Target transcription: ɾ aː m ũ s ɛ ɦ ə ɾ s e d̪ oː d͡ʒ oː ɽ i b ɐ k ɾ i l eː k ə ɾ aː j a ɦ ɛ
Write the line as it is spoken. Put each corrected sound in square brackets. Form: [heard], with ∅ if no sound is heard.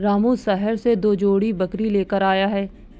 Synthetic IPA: ɾ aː m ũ s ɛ ɦ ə ɾ s e d̪ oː d͡ʒ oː ɽ i b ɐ k ɾ i l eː k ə ɾ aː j a ɦ [ɛː]